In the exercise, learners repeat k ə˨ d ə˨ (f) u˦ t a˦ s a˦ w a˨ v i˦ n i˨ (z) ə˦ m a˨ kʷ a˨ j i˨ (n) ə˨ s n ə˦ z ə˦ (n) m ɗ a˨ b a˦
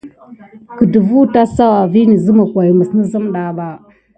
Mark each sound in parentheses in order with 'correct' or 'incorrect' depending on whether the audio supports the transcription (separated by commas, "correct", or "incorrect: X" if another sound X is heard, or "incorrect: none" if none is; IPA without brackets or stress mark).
incorrect: v, correct, incorrect: m, incorrect: none